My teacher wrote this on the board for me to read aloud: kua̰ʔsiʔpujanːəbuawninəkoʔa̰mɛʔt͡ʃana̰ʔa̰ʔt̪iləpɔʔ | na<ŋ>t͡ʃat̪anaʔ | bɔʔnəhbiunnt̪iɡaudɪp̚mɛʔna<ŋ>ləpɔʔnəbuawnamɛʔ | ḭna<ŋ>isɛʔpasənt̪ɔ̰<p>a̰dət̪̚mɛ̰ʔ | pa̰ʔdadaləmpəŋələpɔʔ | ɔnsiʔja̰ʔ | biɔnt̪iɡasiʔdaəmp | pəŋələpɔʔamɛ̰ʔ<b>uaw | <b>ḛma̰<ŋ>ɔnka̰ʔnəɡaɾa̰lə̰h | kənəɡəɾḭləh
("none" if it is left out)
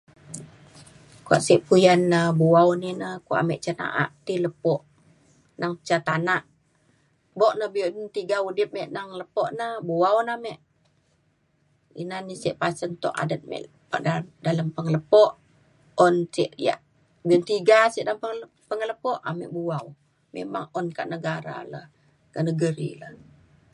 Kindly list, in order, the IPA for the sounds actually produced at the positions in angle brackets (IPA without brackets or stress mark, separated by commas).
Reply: ŋ, ŋ, n, ʔ, b, m, ŋ